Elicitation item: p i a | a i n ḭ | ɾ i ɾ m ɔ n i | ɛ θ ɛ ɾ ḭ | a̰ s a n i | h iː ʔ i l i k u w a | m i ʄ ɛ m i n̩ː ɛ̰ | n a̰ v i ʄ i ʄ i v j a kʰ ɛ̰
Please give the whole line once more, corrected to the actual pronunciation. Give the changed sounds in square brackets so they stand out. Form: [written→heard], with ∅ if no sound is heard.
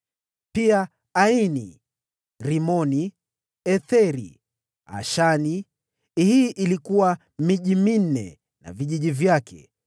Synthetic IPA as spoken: p i a | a i n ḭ | ɾ i [ɾ→∅] m ɔ n i | ɛ θ ɛ ɾ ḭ | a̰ [s→ʃ] a n i | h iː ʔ i l i k u w a | m i ʄ [ɛ→i] m i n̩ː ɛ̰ | n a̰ v i ʄ i ʄ i v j a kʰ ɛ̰